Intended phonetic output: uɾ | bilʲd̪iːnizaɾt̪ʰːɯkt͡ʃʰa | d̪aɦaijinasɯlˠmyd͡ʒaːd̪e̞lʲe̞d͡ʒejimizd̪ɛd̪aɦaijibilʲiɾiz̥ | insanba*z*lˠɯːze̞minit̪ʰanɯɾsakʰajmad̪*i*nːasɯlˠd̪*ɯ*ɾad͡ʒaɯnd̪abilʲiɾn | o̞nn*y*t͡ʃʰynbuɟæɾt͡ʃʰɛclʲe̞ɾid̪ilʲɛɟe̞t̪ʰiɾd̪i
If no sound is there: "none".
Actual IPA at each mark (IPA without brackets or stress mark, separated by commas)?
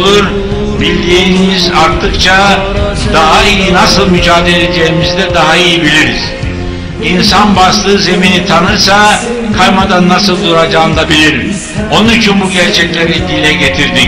s, a, u, y